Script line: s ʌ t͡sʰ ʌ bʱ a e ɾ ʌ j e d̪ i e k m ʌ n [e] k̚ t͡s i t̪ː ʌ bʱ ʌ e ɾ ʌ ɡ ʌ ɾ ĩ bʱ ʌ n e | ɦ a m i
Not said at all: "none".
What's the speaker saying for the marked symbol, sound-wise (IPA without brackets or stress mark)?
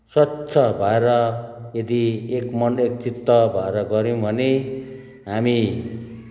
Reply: e